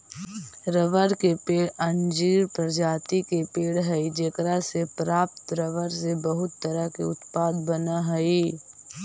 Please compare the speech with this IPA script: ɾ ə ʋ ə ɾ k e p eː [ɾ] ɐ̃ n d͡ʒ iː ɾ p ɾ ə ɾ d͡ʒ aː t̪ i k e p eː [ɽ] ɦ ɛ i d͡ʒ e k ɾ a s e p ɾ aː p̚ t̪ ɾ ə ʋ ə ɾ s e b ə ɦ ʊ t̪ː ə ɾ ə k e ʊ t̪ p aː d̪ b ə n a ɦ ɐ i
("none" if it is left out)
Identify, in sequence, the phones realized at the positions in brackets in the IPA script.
ɽ, ɽ

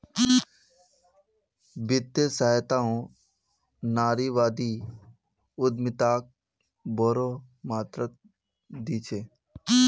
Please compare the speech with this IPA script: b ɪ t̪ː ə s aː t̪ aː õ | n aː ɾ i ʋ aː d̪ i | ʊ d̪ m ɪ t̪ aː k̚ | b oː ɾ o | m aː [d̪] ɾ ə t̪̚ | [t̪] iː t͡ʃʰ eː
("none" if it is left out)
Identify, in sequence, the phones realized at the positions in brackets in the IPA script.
t̪, d̪

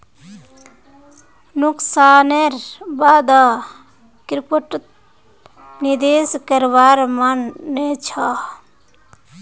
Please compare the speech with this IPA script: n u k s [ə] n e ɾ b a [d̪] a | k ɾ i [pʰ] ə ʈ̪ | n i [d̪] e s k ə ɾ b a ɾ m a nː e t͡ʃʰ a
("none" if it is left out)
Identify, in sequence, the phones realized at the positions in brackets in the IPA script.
a, d̪, p, d̪

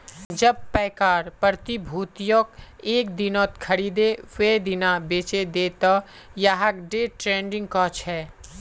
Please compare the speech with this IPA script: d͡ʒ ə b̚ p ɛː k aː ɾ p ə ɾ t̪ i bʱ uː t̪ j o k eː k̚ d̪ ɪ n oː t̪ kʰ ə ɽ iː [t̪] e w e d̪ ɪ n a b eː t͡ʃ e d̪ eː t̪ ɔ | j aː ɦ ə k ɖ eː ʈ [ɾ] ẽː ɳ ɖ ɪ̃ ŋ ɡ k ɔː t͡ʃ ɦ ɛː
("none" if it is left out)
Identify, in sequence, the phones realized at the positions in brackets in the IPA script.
d̪, ɾ

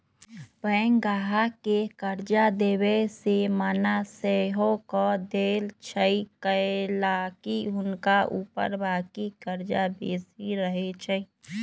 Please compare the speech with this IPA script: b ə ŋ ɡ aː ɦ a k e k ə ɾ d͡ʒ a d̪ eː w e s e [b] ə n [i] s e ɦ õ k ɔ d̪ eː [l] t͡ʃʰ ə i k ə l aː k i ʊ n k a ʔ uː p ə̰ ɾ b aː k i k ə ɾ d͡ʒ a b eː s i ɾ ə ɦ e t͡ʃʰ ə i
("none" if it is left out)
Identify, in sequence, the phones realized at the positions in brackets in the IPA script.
m, a, l

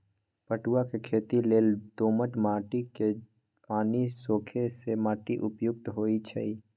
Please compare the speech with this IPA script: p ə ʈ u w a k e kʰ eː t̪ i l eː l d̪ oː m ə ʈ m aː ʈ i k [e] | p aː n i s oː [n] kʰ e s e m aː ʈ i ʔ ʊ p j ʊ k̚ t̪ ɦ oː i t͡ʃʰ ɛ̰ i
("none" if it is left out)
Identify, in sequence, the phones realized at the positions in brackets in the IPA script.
e, none

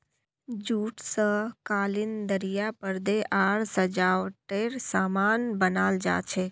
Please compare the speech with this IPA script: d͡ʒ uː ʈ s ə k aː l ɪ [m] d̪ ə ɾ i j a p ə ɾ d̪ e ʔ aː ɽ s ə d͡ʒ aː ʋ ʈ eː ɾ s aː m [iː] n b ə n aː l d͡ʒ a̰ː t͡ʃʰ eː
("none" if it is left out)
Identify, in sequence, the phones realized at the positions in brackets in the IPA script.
n, aː

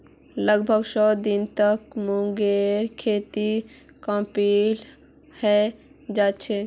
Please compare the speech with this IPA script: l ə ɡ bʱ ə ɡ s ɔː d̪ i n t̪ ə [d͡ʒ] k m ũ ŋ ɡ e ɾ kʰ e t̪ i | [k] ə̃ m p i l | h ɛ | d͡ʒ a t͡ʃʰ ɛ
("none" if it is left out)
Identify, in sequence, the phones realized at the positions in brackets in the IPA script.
none, k

